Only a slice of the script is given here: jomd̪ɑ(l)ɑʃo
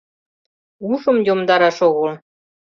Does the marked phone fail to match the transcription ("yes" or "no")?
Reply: yes